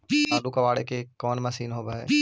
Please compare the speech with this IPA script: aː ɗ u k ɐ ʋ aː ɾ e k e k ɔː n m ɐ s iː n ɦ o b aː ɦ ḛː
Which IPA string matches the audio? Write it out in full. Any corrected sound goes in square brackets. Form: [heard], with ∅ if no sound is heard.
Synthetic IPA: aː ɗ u k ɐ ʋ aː [ɽ] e k e k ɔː n m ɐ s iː n ɦ o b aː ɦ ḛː

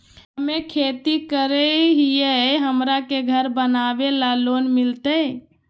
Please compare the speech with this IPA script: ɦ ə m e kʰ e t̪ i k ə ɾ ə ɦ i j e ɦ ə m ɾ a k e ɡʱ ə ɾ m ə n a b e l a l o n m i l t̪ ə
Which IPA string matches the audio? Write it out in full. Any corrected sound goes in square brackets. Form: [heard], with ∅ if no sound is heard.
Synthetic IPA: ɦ ə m e kʰ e t̪ i k ə ɾ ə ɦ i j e ɦ ə m ɾ a k e ɡʱ ə ɾ [b] ə n a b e l a l o n m i l t̪ ə

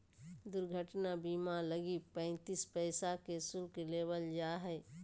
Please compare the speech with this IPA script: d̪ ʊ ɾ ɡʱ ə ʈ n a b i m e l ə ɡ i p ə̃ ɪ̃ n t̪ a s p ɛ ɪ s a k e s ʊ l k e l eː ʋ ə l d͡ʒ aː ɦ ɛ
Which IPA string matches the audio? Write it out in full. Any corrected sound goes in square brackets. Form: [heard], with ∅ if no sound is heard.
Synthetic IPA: d̪ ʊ ɾ ɡʱ ə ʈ n a b i m [a] l ə ɡ i p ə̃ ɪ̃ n t̪ [i] s p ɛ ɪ s a k e s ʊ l k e l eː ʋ ə l d͡ʒ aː ɦ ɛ

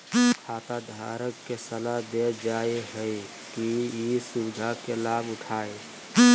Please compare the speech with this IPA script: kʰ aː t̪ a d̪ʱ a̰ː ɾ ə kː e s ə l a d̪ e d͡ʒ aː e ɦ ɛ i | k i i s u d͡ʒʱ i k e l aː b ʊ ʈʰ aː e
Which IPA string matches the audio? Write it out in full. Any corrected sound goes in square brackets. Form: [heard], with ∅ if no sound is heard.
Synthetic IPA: kʰ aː t̪ a d̪ʱ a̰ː ɾ ə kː e s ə l a d̪ e d͡ʒ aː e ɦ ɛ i | k i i s u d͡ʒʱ [a] k e l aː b ʊ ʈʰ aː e

